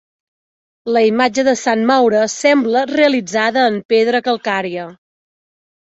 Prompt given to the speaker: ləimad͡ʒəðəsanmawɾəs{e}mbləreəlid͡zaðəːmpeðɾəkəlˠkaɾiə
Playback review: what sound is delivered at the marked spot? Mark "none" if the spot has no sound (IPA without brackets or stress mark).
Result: ɛ